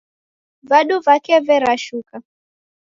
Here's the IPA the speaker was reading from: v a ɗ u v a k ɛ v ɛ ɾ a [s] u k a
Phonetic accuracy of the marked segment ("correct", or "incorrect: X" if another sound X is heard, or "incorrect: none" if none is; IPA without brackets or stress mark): incorrect: ʃ